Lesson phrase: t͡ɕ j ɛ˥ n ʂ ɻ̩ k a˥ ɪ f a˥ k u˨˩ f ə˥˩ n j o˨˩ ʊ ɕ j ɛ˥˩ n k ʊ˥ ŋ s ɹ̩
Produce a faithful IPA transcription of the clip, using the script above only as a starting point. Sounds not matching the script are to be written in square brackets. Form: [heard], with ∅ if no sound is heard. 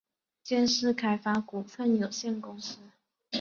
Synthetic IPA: t͡ɕ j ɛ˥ n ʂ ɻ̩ [kʰ] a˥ ɪ f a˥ k u˨˩ f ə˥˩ n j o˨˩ ʊ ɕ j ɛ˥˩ n k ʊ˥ ŋ s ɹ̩